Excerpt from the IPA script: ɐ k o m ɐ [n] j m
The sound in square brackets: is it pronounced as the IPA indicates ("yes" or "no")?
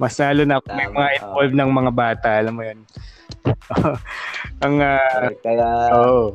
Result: no